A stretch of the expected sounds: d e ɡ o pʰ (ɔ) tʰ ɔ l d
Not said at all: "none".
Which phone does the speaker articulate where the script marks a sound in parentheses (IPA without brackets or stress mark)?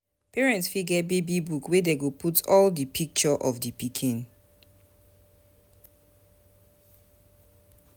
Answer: u